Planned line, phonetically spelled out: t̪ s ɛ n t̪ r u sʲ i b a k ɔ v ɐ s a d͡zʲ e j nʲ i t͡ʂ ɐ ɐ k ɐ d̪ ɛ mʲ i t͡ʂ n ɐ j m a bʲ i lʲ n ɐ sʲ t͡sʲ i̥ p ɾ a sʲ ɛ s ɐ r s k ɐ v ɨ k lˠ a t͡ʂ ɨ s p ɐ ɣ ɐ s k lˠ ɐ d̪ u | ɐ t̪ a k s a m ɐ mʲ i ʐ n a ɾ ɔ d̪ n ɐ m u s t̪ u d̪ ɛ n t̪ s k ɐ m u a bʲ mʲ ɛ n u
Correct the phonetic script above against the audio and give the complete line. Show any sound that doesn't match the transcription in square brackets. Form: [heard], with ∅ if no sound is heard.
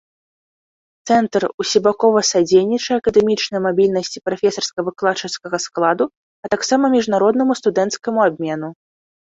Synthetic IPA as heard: t̪ s ɛ n t̪ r u sʲ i b a k ɔ v ɐ s a d͡zʲ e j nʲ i t͡ʂ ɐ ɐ k ɐ d̪ ɛ mʲ i t͡ʂ n ɐ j m a bʲ i lʲ n ɐ sʲ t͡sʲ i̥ p ɾ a [fʲ] ɛ s ɐ r s k ɐ v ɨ k lˠ a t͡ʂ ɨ s [k] ɐ ɣ ɐ s k lˠ [a] d̪ u | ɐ t̪ a k s a m ɐ mʲ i ʐ n a ɾ ɔ d̪ n ɐ m u s t̪ u d̪ ɛ n t̪ s k ɐ m u a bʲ mʲ ɛ n u